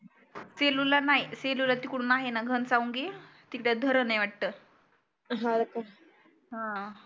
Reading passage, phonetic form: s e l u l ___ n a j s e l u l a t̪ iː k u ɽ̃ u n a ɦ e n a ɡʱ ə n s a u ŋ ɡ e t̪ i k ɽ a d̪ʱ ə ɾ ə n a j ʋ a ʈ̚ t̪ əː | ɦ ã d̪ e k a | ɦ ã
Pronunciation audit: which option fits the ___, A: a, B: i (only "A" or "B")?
A